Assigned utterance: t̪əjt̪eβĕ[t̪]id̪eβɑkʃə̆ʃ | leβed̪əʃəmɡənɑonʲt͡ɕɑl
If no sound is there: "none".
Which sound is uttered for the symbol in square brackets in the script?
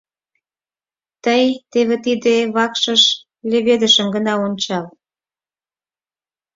t̪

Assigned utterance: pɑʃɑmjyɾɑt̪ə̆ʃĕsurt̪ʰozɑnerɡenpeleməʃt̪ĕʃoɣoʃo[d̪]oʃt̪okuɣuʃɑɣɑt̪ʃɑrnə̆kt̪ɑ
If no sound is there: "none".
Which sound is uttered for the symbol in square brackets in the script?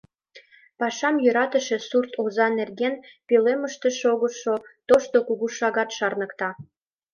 t̪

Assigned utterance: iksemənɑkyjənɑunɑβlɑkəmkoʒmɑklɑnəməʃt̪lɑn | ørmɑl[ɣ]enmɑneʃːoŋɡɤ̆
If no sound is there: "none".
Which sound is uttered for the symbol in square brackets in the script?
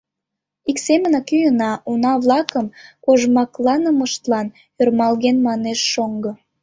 ɣ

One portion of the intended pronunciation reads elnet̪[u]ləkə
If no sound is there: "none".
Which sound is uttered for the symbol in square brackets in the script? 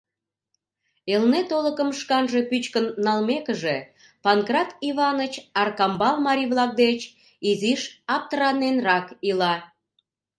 o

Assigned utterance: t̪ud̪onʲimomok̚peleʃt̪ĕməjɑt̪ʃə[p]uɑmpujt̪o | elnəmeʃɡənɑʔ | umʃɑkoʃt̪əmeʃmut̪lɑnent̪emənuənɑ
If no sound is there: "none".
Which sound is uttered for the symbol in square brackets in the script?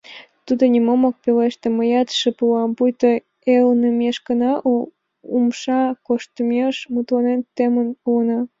p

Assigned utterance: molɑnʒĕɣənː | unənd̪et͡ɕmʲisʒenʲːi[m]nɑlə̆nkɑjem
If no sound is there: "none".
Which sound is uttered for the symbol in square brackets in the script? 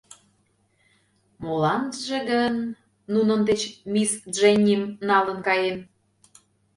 m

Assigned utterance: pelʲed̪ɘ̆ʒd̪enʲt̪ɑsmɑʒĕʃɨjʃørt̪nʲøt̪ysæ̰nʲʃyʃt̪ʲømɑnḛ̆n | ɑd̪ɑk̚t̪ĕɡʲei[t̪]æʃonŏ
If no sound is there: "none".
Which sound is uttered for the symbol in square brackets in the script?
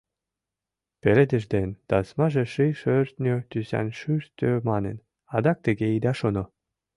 d̪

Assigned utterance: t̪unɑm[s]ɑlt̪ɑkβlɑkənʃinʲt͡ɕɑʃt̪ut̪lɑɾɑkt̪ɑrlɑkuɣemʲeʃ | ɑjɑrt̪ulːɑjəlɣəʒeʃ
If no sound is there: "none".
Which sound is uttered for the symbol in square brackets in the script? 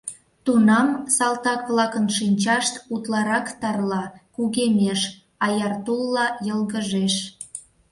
s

